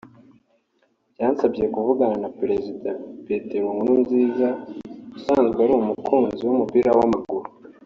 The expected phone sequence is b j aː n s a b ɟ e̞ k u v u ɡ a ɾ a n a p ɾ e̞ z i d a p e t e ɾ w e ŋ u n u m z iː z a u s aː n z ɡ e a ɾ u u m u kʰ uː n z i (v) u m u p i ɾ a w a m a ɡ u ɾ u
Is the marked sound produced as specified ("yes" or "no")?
no